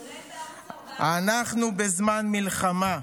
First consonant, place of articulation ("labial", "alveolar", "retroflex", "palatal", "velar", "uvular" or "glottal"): alveolar